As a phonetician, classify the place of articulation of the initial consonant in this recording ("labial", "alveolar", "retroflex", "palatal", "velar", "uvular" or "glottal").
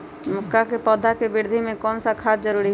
labial